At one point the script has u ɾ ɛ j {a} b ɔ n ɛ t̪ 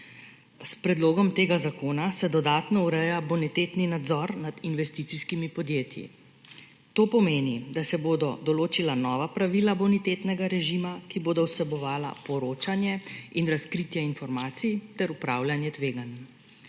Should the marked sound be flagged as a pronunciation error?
no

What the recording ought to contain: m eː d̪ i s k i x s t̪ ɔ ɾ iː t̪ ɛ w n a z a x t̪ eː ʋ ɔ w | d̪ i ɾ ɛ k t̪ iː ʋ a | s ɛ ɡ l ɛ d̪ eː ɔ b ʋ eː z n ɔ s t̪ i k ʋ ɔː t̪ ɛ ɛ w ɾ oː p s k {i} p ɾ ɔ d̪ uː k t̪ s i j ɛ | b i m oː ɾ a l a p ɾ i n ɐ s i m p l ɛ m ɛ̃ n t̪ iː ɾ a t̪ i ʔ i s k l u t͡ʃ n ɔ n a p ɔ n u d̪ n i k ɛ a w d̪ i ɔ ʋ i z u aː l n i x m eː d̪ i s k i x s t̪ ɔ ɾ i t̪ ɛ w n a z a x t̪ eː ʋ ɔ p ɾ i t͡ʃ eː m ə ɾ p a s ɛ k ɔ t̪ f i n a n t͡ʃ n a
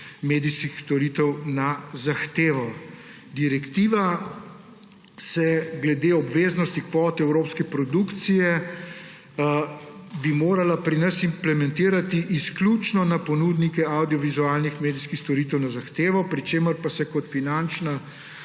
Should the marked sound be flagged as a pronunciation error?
yes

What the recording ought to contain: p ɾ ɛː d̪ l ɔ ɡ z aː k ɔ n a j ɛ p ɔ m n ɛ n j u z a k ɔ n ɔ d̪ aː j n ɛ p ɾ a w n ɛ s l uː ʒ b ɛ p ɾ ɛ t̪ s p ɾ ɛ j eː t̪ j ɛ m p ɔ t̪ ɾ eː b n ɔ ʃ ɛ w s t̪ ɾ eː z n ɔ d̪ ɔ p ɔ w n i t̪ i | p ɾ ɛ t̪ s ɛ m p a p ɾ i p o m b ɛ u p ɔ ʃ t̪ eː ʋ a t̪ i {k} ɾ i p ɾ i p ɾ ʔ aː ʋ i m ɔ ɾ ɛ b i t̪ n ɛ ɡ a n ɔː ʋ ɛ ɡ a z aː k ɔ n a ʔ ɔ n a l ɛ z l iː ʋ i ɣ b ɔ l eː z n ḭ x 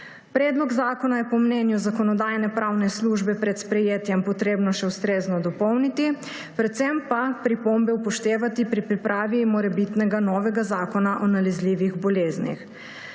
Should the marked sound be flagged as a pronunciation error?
yes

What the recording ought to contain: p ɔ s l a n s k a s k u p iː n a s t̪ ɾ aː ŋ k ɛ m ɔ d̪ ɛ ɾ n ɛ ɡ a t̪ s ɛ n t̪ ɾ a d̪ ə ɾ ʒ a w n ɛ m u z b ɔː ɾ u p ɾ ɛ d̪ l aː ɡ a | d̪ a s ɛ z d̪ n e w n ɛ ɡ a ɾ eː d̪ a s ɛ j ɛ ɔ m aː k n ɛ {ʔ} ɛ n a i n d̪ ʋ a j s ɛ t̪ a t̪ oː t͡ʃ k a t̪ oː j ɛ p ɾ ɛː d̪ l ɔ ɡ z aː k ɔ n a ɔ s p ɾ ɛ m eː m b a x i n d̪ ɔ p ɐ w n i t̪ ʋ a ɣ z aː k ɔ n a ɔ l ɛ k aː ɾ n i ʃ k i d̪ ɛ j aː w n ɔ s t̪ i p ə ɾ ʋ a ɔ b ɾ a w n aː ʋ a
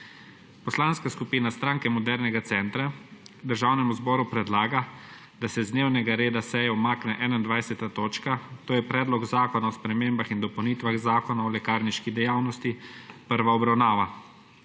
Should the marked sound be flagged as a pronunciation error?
no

